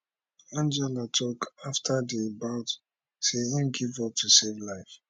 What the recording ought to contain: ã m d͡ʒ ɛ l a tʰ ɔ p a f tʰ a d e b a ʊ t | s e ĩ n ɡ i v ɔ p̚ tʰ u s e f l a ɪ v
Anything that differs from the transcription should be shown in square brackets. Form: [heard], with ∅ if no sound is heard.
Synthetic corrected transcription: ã [n] d͡ʒ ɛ l a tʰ ɔ [k] a f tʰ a d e b a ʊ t | s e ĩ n ɡ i v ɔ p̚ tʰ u s e [v] l a ɪ [f]